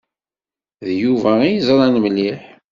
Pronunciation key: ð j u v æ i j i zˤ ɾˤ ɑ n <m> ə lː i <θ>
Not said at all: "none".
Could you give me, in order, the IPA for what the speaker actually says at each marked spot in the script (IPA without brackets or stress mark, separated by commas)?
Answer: m, ħ